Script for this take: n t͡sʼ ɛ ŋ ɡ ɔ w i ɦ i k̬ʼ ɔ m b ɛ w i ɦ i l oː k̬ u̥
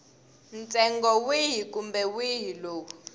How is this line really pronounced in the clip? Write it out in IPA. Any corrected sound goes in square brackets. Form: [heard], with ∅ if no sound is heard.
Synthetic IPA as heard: n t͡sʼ ɛ ŋ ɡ ɔ w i ɦ i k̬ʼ [u] m b ɛ w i ɦ i l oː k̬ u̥